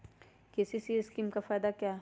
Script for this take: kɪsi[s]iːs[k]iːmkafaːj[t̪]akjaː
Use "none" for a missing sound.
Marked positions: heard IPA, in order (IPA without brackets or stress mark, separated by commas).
s, k, d̪